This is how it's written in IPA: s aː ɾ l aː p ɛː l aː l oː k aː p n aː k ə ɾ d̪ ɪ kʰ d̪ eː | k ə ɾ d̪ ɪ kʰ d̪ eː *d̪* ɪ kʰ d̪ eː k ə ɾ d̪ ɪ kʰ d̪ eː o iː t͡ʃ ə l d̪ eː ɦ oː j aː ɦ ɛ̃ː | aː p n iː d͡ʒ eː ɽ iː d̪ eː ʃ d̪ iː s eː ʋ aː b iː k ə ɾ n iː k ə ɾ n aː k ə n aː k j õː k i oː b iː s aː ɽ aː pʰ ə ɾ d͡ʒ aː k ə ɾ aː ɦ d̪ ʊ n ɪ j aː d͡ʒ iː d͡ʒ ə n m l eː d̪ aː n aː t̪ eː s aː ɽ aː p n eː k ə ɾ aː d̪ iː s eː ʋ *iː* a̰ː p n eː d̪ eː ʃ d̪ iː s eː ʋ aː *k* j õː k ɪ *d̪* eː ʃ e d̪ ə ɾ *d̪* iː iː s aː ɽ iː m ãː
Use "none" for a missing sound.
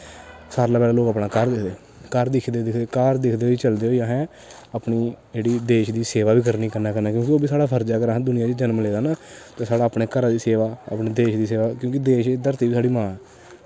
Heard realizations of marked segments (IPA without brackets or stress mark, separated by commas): d̪, aː, k, d̪, t̪